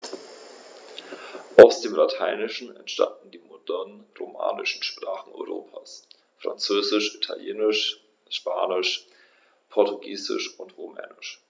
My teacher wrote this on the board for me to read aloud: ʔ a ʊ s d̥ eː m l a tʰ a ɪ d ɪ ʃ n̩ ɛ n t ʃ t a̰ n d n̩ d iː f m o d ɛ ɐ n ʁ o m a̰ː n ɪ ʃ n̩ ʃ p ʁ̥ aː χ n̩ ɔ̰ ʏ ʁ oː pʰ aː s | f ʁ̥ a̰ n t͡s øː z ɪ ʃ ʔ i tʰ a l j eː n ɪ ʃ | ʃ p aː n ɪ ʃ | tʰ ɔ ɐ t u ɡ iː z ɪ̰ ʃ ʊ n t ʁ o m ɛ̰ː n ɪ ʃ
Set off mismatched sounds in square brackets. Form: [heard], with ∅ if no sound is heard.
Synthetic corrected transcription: ʔ a ʊ s d̥ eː m l a tʰ a ɪ [n] ɪ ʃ n̩ ɛ n t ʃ t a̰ n d n̩ d iː [∅] m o d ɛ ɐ n ʁ o m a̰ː n ɪ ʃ n̩ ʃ p ʁ̥ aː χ n̩ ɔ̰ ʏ ʁ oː pʰ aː s | f ʁ̥ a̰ n t͡s øː z ɪ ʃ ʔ i tʰ a l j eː n ɪ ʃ | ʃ p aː n ɪ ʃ | [pʰ] ɔ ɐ t u ɡ iː z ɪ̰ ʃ ʊ n t ʁ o m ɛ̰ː n ɪ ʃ

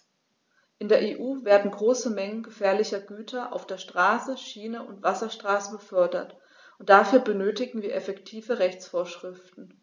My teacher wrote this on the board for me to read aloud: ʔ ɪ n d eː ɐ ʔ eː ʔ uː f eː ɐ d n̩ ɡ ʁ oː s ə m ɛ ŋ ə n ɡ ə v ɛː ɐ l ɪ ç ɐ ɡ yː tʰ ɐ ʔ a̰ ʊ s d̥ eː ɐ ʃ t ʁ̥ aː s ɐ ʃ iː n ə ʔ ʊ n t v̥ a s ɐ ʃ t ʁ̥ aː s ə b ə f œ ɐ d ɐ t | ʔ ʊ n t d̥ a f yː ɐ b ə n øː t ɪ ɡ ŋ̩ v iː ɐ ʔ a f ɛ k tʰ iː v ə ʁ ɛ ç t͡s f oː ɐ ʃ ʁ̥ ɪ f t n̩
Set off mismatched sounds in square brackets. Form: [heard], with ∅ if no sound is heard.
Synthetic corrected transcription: ʔ ɪ n d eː ɐ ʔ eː ʔ uː [v] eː ɐ d n̩ ɡ ʁ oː s ə m ɛ ŋ ə n ɡ ə [f] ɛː ɐ l ɪ ç ɐ ɡ yː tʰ ɐ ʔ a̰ ʊ [f] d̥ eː ɐ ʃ t ʁ̥ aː s [ə] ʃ iː n ə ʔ ʊ n t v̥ a s ɐ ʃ t ʁ̥ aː s ə b ə f œ ɐ d ɐ t | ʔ ʊ n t d̥ a f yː ɐ b ə n øː t ɪ ɡ ŋ̩ v iː ɐ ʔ [ɛ] f ɛ k tʰ iː v ə ʁ ɛ ç t͡s f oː ɐ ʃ ʁ̥ ɪ f t n̩

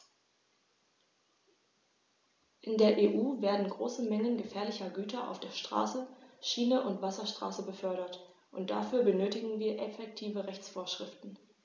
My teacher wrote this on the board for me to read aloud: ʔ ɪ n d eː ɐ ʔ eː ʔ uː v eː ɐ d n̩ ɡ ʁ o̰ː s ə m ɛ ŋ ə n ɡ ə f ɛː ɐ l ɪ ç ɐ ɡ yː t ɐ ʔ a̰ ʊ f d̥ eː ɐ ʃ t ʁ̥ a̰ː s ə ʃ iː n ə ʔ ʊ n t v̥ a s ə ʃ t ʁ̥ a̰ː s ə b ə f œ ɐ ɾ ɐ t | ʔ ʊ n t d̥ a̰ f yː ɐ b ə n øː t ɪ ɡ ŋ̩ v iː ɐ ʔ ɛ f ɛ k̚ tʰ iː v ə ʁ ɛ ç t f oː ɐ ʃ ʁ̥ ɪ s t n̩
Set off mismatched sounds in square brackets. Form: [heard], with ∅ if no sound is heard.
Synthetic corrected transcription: ʔ ɪ n d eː ɐ ʔ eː ʔ uː v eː ɐ d n̩ ɡ ʁ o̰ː s ə m ɛ ŋ ə n ɡ ə f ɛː ɐ l ɪ ç ɐ ɡ yː t ɐ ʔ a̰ ʊ f d̥ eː ɐ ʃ t ʁ̥ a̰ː s ə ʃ iː n ə ʔ ʊ n t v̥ a s [ɐ] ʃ t ʁ̥ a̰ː s ə b ə f œ ɐ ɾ ɐ t | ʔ ʊ n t d̥ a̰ f yː ɐ b ə n øː t ɪ ɡ ŋ̩ v iː ɐ ʔ ɛ f ɛ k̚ tʰ iː v ə ʁ ɛ ç [t͡s] f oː ɐ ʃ ʁ̥ ɪ [f] t n̩

